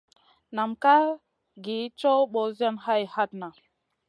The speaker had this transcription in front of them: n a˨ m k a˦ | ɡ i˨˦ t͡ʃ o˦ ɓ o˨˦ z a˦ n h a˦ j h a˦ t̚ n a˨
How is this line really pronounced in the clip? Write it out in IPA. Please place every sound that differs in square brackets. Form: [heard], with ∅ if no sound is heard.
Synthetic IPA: n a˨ m k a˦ | ɡ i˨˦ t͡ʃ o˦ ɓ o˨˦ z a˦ n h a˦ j h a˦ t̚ n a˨